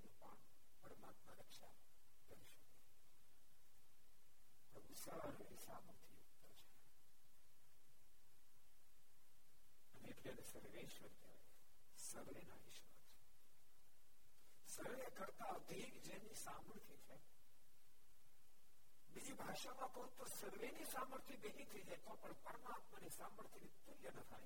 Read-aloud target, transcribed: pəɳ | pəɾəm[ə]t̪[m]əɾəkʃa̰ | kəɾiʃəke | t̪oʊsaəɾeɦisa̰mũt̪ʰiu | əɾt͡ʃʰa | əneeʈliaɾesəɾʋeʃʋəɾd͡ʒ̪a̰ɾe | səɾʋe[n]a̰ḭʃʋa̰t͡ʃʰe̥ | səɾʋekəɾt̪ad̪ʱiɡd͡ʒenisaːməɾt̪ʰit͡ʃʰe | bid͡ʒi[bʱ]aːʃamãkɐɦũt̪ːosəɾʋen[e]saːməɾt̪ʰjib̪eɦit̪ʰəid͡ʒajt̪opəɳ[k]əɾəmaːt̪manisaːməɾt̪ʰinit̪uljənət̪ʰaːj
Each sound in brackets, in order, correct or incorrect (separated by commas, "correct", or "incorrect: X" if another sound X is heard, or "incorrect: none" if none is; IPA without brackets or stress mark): incorrect: a, correct, correct, correct, incorrect: i, incorrect: p